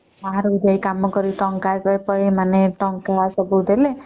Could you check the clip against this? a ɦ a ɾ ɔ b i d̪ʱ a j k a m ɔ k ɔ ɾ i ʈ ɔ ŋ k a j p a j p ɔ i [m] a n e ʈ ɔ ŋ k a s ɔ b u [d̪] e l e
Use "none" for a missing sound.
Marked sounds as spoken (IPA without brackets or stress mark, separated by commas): m, d̪